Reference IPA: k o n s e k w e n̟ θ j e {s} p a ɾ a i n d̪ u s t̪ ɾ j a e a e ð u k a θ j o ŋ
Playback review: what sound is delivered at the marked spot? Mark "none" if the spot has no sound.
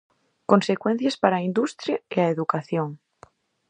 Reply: s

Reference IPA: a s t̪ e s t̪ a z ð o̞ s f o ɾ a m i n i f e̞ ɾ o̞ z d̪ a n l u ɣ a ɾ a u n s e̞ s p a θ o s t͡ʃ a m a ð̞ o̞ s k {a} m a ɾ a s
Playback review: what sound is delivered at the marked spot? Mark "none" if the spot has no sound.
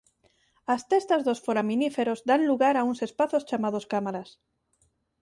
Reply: a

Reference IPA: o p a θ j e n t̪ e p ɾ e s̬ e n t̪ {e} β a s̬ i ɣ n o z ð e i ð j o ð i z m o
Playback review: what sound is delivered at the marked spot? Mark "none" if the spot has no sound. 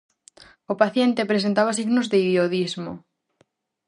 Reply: a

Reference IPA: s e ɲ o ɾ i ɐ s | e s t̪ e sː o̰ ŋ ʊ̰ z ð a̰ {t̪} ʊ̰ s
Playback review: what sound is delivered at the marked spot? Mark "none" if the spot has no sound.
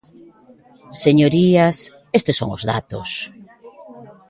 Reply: t̪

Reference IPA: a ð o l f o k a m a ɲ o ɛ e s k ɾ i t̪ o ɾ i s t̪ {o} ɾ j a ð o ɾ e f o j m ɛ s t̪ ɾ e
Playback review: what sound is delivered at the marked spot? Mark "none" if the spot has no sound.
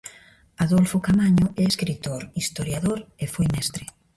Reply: o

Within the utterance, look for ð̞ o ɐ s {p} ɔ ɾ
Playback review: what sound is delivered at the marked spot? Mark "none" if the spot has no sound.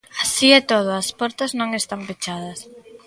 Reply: p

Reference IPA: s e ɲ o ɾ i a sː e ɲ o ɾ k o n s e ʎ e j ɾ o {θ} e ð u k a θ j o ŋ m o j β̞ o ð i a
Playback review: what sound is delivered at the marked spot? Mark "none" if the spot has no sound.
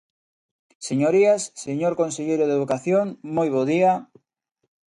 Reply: ð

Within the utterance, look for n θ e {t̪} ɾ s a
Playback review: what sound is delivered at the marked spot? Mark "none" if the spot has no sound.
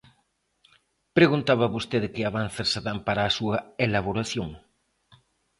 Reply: none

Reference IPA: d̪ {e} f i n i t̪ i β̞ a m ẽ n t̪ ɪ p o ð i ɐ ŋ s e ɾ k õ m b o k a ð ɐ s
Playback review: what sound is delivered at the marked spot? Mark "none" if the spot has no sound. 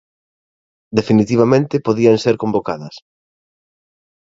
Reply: e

